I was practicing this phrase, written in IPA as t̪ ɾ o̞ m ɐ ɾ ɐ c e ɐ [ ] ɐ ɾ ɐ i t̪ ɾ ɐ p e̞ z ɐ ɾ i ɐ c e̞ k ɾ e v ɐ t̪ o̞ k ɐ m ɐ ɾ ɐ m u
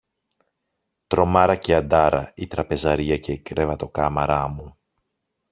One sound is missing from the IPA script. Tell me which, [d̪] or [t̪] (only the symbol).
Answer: d̪